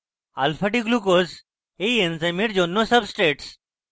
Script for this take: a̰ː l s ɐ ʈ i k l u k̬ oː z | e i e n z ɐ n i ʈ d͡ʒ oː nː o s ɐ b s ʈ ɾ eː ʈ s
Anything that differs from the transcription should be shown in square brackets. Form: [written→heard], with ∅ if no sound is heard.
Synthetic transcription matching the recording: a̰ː l [s→f] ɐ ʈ i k l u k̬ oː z | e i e n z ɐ [n→m] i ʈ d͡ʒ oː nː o s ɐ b s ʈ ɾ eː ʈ s